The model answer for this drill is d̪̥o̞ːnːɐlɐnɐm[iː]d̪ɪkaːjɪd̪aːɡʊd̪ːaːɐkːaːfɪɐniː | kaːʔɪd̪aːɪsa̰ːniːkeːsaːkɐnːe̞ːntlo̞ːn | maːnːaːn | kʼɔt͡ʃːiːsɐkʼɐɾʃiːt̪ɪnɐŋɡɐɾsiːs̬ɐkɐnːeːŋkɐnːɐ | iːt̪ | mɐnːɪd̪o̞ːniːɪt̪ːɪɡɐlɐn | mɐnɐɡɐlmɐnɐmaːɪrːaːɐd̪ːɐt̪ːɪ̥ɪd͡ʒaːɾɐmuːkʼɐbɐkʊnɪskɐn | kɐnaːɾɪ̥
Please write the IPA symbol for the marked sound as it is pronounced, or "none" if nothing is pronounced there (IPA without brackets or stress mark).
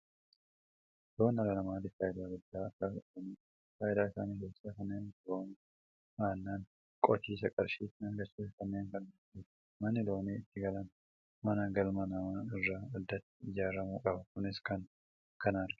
aː